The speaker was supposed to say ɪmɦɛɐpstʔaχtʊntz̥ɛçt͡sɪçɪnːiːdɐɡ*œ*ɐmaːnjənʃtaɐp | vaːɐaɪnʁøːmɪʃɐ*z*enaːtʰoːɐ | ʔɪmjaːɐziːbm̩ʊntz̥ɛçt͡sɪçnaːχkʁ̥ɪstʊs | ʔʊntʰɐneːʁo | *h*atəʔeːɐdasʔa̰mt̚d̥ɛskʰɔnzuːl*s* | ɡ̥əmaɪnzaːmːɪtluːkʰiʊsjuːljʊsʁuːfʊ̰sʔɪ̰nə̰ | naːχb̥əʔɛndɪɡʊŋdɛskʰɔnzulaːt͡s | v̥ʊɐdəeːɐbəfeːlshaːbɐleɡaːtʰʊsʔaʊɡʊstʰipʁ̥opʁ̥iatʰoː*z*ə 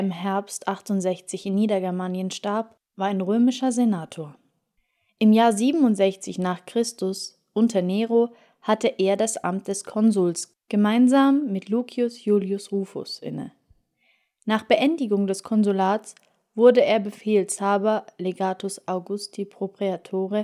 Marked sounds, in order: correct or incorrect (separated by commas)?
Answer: incorrect, correct, correct, correct, incorrect